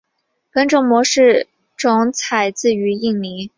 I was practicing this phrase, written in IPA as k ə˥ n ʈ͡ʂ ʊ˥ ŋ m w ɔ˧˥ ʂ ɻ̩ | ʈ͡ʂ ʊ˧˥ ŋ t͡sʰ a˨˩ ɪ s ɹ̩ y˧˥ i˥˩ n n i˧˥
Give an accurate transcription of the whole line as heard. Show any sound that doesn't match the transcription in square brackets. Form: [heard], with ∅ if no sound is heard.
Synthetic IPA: k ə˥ n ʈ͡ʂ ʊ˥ ŋ m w ɔ˧˥ ʂ ɻ̩ | ʈ͡ʂ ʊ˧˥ ŋ t͡sʰ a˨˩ ɪ [t͡s] ɹ̩ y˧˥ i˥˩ [ŋ] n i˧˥